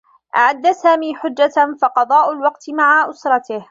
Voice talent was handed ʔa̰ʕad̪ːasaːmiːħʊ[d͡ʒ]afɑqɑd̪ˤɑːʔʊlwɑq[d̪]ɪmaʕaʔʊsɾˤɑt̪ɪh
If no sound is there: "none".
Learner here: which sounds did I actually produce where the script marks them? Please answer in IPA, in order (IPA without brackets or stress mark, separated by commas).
d͡ʒː, t̪